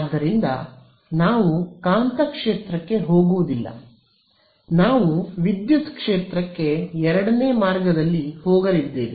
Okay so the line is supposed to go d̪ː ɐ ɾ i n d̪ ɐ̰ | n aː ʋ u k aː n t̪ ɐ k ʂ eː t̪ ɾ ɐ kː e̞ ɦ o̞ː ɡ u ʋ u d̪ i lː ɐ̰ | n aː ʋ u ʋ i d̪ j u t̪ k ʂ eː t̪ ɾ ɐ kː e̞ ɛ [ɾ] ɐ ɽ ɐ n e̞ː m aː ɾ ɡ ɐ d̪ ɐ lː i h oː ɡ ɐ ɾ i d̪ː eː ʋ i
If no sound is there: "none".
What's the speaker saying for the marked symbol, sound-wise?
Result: ɾ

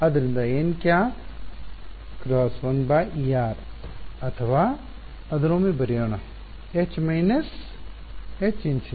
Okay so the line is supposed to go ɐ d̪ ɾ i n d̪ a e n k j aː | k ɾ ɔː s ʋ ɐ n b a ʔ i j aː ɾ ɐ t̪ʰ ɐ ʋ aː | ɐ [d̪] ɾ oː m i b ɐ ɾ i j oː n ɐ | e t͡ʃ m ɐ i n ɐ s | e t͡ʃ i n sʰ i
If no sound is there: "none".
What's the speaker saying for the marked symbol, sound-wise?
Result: d̪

